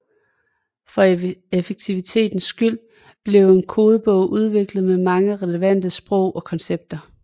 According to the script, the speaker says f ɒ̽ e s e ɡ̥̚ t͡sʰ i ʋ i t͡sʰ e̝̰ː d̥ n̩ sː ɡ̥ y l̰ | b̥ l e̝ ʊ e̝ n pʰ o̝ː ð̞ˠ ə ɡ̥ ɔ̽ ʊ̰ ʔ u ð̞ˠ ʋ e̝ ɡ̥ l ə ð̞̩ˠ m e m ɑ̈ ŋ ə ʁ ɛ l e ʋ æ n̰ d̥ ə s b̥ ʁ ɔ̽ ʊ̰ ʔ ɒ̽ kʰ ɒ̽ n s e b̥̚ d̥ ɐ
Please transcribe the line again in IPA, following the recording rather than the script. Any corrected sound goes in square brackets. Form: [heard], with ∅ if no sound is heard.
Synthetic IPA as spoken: f ɒ̽ e [f] e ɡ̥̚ t͡sʰ i ʋ i t͡sʰ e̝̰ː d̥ n̩ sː ɡ̥ y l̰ | b̥ l e̝ ʊ e̝ n [kʰ] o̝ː ð̞ˠ ə [b̥] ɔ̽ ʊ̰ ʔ u ð̞ˠ ʋ e̝ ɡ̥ l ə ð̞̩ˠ m e m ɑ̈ ŋ ə ʁ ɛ l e ʋ æ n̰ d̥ ə s b̥ ʁ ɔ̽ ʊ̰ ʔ ɒ̽ kʰ ɒ̽ n s e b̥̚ d̥ ɐ